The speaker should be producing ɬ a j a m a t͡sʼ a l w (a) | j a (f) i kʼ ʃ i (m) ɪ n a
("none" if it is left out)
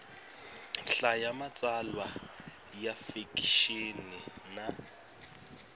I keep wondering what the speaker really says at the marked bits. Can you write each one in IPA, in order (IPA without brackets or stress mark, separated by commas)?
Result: a, f, n